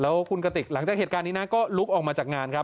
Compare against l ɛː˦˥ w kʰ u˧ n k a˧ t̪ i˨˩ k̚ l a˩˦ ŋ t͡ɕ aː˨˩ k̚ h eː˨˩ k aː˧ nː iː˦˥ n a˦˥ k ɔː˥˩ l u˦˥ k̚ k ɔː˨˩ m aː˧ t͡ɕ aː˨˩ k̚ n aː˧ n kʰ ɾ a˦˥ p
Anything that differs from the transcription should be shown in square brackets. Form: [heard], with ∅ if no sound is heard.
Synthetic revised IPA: l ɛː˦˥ w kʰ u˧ n k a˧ t̪ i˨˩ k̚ l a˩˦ ŋ t͡ɕ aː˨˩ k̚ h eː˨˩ k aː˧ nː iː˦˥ n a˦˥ k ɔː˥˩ l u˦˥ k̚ [ʔ] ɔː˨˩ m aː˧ t͡ɕ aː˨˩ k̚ [ŋ] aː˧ n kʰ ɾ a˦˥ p